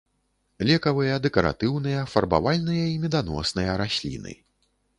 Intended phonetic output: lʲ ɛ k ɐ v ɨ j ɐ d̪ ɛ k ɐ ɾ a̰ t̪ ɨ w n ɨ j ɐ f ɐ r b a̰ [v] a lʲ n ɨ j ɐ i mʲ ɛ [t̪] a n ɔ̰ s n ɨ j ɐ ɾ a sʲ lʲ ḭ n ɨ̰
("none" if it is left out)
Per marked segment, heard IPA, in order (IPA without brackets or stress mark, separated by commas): v, d̪